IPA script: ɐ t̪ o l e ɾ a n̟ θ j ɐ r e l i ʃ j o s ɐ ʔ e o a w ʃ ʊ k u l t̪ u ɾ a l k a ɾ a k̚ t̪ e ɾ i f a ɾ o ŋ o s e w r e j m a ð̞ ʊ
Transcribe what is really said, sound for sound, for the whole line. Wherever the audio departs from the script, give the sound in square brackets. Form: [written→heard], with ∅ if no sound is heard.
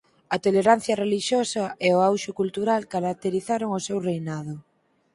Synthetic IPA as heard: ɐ t̪ o l e ɾ a n̟ θ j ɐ r e l i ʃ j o s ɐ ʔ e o a w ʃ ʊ k u l t̪ u ɾ a l k a ɾ a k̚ t̪ e ɾ i [f→θ] a ɾ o ŋ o s e w r e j [m→n] a ð̞ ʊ